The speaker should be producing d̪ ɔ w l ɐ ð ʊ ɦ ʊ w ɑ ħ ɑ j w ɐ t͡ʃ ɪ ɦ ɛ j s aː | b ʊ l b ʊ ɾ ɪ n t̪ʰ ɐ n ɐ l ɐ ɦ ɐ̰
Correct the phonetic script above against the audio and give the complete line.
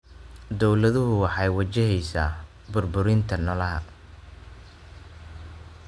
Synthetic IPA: d̪ ɔ w l ɐ ð ʊ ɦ ʊ w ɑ ħ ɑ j w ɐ t͡ʃ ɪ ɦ ɛ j s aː | b ʊ r b ʊ ɾ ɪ n t̪ʰ ɐ n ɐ l ɐ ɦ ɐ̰